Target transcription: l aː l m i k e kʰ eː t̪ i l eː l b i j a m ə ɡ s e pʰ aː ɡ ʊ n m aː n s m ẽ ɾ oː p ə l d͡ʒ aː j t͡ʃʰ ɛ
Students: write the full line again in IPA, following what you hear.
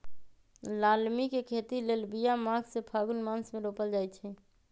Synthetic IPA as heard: l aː l m i k e kʰ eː t̪ i l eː l b i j a m a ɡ s e pʰ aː ɡ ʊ n m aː n s m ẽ ɾ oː p ə l d͡ʒ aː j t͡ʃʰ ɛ